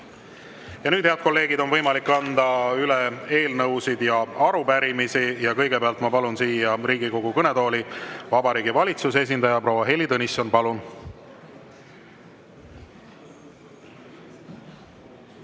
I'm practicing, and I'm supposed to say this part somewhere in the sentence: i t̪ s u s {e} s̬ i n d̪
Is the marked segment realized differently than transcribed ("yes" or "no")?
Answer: no